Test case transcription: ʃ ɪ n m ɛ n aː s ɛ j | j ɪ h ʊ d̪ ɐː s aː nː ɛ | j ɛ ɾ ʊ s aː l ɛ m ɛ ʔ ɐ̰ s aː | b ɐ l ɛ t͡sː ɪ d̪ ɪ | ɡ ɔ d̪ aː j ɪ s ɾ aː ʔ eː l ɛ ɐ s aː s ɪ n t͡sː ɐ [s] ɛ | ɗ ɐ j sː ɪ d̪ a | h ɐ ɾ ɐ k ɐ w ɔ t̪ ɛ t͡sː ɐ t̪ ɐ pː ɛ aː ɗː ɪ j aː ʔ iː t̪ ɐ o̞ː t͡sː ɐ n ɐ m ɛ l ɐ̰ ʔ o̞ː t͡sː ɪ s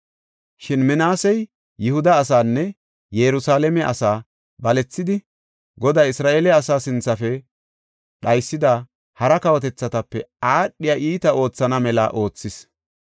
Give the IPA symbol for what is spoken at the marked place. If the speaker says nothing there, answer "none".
f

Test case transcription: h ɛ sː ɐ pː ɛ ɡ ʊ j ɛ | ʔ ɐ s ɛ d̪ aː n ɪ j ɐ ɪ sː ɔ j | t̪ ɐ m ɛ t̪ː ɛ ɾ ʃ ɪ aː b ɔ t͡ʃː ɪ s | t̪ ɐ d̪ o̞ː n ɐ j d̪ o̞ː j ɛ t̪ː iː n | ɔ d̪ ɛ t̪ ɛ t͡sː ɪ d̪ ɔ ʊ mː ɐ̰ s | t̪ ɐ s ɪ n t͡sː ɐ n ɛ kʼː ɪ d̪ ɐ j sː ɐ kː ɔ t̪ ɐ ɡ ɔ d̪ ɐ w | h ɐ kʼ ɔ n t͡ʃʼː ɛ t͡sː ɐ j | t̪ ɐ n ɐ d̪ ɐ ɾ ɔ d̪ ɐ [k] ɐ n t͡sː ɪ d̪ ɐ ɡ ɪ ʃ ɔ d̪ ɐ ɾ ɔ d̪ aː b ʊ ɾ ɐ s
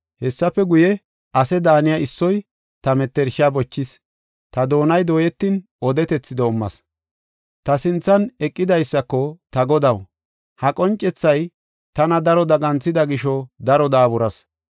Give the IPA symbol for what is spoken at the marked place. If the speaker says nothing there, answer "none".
ɡ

